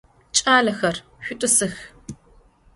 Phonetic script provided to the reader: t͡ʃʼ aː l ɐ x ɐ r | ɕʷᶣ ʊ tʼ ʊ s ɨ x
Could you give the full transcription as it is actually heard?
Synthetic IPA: t͡ʃʼ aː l ɐ x ɐ r | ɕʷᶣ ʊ tʼ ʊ s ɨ x